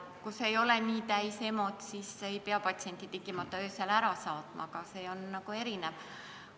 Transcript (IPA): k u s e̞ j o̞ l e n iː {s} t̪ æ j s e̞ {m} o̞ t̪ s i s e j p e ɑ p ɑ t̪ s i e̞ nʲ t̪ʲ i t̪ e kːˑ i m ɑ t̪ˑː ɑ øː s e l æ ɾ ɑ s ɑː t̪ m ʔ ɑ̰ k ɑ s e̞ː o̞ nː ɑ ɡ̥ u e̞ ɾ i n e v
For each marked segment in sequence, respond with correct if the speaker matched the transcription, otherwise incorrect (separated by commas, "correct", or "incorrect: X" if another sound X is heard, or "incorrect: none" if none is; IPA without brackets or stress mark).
incorrect: none, correct